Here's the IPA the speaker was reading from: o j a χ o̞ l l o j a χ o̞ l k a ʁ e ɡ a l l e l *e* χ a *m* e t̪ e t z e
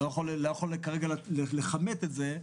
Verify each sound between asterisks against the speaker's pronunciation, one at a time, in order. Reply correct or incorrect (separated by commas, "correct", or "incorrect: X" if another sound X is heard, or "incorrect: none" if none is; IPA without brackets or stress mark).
correct, correct